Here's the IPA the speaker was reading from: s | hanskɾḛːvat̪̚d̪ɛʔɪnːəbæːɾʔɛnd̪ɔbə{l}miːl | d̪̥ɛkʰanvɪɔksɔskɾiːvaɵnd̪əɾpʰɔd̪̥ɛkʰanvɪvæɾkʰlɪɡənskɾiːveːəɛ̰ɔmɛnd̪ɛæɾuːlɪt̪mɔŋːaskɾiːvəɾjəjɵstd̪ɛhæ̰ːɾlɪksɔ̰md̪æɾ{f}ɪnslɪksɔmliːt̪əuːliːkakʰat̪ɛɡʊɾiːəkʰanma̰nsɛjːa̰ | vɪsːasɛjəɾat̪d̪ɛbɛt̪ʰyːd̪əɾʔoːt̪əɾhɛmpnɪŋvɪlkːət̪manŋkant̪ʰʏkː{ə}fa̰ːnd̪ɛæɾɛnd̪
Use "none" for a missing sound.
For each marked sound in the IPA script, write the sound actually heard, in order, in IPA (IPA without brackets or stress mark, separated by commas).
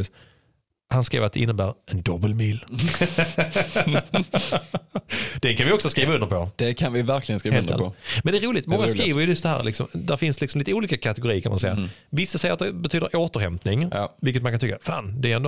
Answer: l, f, a